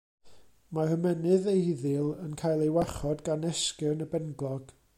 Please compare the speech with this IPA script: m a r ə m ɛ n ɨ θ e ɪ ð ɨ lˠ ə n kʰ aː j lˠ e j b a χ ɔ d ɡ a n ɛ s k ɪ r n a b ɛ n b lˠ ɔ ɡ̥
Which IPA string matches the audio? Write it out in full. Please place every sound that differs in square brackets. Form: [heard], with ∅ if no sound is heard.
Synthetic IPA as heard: m a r ə m ɛ n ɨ [ð] e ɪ ð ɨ lˠ ə n kʰ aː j lˠ e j [w] a χ ɔ d ɡ a n ɛ s k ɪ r n [ə] b ɛ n [ɡ] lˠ ɔ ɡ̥